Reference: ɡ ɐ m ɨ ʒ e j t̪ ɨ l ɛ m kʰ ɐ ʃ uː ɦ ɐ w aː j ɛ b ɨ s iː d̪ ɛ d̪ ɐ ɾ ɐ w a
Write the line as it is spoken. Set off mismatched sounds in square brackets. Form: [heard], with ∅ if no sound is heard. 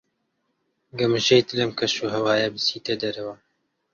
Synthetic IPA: ɡ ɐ m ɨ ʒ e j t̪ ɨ l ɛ m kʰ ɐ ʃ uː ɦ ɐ w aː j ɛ b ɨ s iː [t̪] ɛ d̪ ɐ ɾ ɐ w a